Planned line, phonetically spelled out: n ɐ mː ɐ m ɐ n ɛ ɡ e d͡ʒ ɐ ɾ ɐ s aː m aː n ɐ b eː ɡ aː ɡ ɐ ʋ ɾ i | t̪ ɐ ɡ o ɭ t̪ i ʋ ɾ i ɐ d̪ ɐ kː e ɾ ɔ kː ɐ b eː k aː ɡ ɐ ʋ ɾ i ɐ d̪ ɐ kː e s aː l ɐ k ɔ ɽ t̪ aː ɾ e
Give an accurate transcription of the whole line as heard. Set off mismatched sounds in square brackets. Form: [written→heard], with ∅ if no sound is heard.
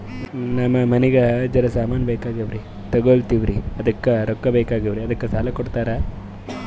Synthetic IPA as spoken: n ɐ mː ɐ m ɐ n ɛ ɡ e d͡ʒ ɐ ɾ ɐ s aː m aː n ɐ b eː [ɡ→k] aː ɡ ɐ ʋ ɾ i | t̪ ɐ ɡ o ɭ t̪ i ʋ ɾ i ɐ d̪ ɐ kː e ɾ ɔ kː ɐ b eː k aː ɡ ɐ ʋ ɾ i ɐ d̪ ɐ kː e s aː l ɐ k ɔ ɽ t̪ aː ɾ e